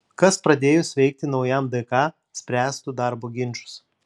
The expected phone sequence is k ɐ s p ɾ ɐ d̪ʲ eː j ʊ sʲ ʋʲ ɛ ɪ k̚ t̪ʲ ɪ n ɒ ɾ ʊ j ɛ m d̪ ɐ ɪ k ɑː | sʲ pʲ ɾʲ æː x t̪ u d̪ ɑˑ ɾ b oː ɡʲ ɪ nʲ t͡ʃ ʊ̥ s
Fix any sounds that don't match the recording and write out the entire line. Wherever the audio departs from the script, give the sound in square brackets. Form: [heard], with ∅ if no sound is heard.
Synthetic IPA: k ɐ s p ɾ ɐ d̪ʲ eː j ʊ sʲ ʋʲ ɛ ɪ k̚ t̪ʲ ɪ n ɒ [∅] ʊ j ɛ m d̪ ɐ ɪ k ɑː | sʲ pʲ ɾʲ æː [s] t̪ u d̪ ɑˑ ɾ b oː ɡʲ ɪ nʲ t͡ʃ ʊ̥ s